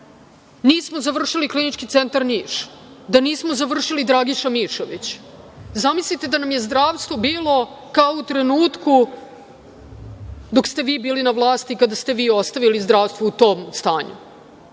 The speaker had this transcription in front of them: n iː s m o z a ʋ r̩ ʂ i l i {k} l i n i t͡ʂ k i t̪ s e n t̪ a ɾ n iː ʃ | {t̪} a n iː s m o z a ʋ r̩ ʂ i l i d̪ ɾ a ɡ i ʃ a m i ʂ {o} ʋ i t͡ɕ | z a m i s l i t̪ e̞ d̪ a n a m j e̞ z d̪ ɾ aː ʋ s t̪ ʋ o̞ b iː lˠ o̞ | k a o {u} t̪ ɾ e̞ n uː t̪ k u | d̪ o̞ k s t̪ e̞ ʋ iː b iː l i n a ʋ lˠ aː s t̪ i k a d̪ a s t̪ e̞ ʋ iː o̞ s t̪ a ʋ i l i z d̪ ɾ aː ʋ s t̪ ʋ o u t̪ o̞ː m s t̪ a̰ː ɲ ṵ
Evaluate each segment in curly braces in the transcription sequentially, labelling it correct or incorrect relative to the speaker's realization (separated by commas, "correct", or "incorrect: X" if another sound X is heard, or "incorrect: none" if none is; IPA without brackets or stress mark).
correct, incorrect: d̪, correct, correct